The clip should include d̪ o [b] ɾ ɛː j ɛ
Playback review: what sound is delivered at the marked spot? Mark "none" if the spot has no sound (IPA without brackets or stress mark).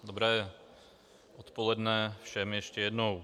b